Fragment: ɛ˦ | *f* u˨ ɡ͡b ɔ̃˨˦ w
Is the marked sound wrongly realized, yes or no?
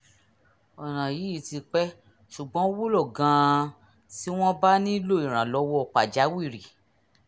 yes